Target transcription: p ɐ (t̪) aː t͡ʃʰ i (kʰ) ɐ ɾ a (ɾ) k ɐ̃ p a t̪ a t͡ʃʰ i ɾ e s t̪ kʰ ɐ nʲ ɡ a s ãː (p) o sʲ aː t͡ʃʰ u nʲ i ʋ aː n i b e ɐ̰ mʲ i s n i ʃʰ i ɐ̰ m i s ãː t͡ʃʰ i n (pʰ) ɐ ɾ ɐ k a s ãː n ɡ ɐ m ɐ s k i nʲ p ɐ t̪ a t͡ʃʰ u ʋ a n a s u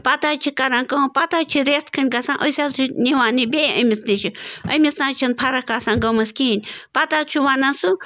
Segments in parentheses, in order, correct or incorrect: correct, incorrect, incorrect, incorrect, correct

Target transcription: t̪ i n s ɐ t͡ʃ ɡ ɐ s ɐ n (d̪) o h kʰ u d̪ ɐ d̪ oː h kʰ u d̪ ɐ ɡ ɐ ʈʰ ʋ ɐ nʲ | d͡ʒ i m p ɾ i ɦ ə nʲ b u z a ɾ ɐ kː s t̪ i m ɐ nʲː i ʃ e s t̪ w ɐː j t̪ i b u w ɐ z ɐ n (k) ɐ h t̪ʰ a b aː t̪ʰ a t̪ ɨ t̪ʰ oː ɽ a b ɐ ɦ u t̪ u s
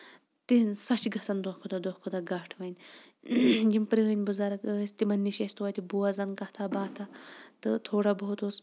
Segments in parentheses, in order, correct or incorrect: correct, correct

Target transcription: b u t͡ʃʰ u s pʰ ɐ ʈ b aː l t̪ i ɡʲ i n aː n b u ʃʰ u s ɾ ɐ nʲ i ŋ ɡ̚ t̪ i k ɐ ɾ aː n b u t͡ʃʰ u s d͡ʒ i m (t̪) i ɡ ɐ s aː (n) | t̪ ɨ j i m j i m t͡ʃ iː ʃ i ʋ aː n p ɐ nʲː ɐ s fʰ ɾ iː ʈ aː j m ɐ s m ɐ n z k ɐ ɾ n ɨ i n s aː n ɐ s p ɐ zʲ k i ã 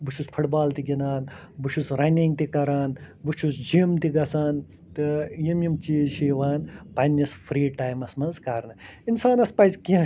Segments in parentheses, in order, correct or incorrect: correct, correct

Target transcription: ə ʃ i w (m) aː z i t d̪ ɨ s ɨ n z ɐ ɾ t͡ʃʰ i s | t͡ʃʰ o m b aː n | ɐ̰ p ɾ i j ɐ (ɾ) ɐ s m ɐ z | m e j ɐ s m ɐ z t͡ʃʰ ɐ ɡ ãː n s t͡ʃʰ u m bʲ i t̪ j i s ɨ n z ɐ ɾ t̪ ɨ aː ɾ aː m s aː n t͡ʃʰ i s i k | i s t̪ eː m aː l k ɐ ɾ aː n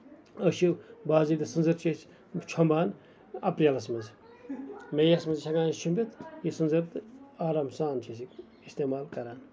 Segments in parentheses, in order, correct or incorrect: incorrect, incorrect

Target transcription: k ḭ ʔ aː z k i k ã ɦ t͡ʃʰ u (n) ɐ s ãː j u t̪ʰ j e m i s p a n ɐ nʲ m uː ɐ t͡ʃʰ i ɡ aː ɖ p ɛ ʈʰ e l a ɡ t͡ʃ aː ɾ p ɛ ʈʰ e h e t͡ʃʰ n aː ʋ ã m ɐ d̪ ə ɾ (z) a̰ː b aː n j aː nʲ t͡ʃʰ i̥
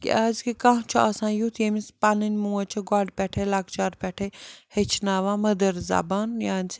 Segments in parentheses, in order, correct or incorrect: incorrect, correct

